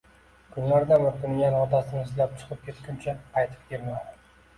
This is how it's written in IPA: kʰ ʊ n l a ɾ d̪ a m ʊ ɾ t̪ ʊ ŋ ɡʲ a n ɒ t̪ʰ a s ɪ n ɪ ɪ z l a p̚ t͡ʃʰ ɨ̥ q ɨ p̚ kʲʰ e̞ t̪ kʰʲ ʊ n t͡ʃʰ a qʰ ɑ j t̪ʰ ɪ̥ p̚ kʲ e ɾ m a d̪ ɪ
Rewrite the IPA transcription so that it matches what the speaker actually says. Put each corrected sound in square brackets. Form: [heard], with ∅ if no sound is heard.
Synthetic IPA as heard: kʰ ʊ n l a ɾ d̪ a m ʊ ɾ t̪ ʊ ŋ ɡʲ a n ɒ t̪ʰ a s ɪ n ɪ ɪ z l a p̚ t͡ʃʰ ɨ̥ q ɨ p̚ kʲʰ e̞ t̪ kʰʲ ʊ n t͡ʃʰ a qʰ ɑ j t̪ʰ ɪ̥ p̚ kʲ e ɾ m a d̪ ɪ